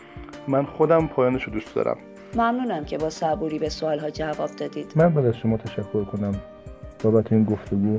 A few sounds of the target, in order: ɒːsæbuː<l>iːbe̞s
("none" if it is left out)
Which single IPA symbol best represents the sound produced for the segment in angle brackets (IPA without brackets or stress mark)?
ɾ